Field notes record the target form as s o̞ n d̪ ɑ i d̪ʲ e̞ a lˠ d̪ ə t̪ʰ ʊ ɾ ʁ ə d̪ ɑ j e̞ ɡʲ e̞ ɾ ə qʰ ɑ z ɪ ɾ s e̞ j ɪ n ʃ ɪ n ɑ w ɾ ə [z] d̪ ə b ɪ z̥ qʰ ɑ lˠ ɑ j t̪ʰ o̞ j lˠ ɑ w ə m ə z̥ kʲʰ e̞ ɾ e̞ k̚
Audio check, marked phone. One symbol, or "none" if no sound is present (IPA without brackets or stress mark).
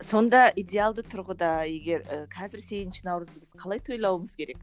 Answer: z